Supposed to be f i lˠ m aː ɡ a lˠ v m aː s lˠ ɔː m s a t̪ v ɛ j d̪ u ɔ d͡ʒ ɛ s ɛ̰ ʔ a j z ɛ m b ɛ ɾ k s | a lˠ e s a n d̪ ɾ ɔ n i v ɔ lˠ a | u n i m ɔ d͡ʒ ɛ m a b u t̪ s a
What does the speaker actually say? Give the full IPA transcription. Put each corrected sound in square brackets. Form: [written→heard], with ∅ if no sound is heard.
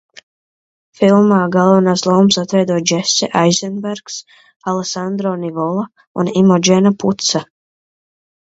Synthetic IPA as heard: f i lˠ m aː ɡ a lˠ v [m→n] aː s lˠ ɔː m s a t̪ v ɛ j d̪ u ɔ d͡ʒ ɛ s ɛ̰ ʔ a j z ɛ [m→n] b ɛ ɾ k s | a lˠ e s a n d̪ ɾ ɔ n i v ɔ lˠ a | u n i m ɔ d͡ʒ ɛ [m→n] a [b→p] u t̪ s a